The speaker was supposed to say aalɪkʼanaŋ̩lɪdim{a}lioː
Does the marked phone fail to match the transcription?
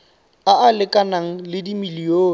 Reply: yes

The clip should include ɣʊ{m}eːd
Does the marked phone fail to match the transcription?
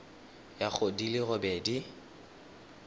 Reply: yes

